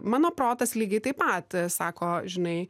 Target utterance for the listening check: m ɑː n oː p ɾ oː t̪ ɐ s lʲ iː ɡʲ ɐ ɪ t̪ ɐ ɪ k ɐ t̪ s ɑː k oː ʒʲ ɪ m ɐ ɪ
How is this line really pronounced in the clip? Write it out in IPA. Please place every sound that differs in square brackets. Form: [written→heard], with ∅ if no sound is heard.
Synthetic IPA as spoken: m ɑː n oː p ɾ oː t̪ ɐ s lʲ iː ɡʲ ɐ ɪ t̪ ɐ ɪ [k→p] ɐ t̪ s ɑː k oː ʒʲ ɪ [m→n] ɐ ɪ